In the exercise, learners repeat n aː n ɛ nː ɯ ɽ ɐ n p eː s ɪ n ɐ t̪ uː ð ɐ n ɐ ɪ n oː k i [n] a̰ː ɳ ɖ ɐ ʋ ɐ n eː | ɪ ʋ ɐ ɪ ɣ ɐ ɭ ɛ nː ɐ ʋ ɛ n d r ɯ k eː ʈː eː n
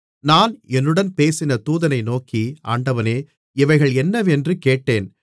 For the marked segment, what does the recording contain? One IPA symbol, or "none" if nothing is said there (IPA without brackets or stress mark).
none